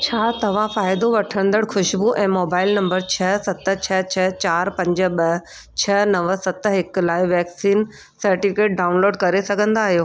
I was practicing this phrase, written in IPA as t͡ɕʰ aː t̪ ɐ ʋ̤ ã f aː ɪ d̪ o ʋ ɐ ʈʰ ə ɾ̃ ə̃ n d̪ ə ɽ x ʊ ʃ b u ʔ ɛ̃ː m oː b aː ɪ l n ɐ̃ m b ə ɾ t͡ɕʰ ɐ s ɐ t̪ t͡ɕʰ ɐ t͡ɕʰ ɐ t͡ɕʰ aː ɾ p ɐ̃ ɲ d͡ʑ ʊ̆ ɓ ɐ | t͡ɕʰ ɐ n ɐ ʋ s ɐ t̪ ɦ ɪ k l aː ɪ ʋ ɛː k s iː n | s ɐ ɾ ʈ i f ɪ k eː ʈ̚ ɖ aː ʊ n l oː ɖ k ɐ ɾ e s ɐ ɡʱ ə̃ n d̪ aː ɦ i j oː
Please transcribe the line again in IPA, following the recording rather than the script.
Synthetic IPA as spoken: t͡ɕʰ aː t̪ ɐ ʋ̤ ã f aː ɪ d̪ o ʋ ɐ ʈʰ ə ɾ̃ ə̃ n d̪ ə ɽ x ʊ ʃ b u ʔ ɛ̃ː m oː b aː ɪ l n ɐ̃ m b ə ɾ t͡ɕʰ ɐ s ɐ t̪ t͡ɕʰ ɐ t͡ɕʰ ɐ t͡ɕ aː ɾ p ɐ̃ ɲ d͡ʑ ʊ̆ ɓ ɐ | t͡ɕʰ ɐ n ɐ ʋ s ɐ t̪ ɦ ɪ k l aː ɪ ʋ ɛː k s iː n | s ɐ ɾ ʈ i f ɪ k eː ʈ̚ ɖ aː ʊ n l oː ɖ k ɐ ɾ e s ɐ ɡʱ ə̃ n d̪ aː ɦ i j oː